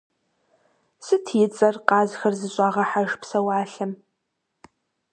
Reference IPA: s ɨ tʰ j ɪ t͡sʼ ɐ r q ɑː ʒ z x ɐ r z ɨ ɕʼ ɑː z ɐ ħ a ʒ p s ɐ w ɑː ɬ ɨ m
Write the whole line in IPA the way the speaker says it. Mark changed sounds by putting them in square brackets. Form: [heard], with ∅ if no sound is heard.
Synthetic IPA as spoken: s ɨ tʰ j ɪ t͡sʼ ɐ r q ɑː [∅] z x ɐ r z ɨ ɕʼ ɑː [ʁ] ɐ ħ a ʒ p s ɐ w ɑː ɬ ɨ m